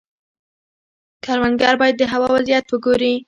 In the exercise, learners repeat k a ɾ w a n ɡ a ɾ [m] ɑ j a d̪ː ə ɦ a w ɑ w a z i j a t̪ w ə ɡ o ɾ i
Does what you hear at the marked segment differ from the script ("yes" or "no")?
yes